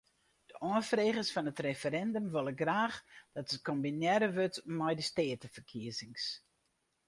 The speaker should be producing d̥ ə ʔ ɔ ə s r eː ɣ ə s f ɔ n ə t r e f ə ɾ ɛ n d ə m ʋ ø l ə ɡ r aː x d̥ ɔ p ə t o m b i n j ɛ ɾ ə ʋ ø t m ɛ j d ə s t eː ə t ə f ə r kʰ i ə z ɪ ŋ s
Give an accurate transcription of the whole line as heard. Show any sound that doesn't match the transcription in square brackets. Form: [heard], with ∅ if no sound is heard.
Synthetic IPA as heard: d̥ ə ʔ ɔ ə [f] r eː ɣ ə s f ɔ n ə t r e f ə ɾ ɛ n d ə m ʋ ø l ə ɡ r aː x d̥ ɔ [t] ə [k] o m b i n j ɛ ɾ ə ʋ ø t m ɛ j d ə s t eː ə t ə f ə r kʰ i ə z ɪ ŋ s